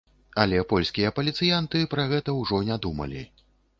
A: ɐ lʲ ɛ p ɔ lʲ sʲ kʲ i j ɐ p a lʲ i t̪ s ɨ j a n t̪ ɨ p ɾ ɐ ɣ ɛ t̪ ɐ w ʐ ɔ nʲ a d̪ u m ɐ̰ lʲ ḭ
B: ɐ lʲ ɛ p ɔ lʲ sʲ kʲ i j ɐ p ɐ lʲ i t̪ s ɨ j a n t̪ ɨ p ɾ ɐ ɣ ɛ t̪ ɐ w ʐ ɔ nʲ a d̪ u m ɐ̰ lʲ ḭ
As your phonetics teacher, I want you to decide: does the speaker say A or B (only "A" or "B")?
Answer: B